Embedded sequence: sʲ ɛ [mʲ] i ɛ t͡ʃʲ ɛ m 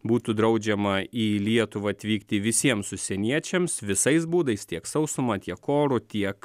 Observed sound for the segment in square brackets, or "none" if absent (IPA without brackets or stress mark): nʲ